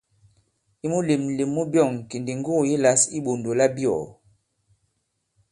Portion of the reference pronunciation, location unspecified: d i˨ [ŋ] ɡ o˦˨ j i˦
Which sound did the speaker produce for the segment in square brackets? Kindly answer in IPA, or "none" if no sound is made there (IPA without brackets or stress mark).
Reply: ŋ